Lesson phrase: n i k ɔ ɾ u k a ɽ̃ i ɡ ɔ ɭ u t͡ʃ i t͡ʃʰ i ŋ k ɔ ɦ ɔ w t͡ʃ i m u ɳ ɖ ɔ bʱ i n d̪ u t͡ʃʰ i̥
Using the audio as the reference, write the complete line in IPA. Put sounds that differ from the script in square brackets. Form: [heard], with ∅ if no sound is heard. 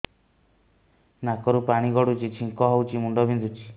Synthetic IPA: n [a] k ɔ ɾ u [p] a ɽ̃ i ɡ ɔ [ɽ] u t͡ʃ i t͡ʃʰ i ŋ k ɔ ɦ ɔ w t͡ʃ i m u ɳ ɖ ɔ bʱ i n d̪ u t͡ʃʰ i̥